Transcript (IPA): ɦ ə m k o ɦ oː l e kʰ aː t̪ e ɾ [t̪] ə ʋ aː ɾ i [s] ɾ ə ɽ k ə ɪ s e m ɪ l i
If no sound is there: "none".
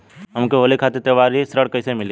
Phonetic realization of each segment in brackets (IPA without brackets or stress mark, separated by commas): t̪, s